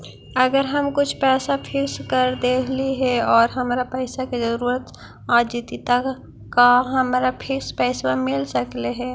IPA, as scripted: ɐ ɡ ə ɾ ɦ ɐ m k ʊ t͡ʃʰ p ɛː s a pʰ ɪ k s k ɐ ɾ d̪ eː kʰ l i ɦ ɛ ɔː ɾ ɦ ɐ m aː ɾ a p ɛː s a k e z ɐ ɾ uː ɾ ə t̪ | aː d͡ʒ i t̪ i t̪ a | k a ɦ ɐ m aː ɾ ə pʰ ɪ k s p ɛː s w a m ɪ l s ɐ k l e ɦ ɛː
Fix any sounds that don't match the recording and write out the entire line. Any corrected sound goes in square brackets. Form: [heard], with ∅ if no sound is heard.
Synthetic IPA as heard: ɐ ɡ ə ɾ ɦ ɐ m k ʊ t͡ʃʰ p ɛː s a pʰ ɪ k s k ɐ ɾ d̪ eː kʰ l i ɦ ɛ ɔː ɾ ɦ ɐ m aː ɾ a p ɛː s a k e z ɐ ɾ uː ɾ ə t̪ | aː d͡ʒ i t̪ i t̪ a | k a ɦ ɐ m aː ɾ [a] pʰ ɪ k s p ɛː s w a m ɪ l s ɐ k l e ɦ ɛː